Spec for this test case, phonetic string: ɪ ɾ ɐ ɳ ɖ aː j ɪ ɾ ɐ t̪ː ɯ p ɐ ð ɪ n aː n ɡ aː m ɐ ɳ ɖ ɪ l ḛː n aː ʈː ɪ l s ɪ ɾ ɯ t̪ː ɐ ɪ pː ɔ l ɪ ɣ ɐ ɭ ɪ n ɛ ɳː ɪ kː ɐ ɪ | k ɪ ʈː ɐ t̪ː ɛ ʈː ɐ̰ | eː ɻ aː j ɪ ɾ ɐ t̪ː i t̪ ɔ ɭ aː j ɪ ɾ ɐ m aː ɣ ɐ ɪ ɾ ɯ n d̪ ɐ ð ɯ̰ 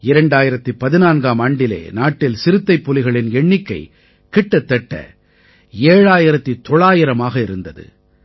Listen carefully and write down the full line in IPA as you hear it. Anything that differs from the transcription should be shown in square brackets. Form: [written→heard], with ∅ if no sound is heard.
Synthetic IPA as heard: ɪ ɾ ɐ ɳ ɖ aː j ɪ ɾ ɐ t̪ː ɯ p ɐ ð ɪ n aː n ɡ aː m ɐ ɳ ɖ ɪ l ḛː n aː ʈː ɪ l s ɪ ɾ ɯ t̪ː ɐ ɪ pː ɔ l ɪ ɣ ɐ ɭ ɪ n ɛ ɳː ɪ kː ɐ ɪ | k ɪ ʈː ɐ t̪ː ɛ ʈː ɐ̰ | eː ɻ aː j ɪ ɾ ɐ t̪ː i t̪ ɔ ɭ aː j ɪ ɾ ɐ m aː ɣ ɐ ɪ ɾ ɯ n d̪ ɐ ð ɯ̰

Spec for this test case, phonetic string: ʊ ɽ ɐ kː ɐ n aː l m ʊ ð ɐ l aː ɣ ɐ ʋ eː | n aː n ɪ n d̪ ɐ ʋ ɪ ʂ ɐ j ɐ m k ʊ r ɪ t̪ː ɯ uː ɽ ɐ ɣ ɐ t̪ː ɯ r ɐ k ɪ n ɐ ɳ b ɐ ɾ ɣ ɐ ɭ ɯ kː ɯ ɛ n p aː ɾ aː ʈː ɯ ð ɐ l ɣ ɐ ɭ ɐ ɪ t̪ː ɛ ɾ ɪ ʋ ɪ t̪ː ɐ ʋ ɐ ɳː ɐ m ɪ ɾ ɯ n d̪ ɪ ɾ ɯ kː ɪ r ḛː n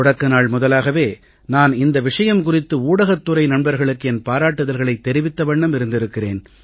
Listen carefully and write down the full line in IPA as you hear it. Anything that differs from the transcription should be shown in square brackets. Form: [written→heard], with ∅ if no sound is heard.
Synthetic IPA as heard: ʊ ɽ ɐ kː ɐ n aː [l→ɭ] m ʊ ð ɐ l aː ɣ ɐ ʋ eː | n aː n ɪ n d̪ ɐ ʋ ɪ ʂ ɐ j ɐ m k ʊ r ɪ t̪ː ɯ uː ɽ ɐ ɣ ɐ t̪ː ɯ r ɐ [k→∅] ɪ n ɐ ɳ b ɐ ɾ ɣ ɐ ɭ ɯ kː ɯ ɛ n p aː ɾ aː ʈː ɯ ð ɐ l ɣ ɐ ɭ ɐ ɪ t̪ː ɛ ɾ ɪ ʋ ɪ t̪ː ɐ ʋ ɐ ɳː ɐ m ɪ ɾ ɯ n d̪ ɪ ɾ ɯ kː ɪ r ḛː n

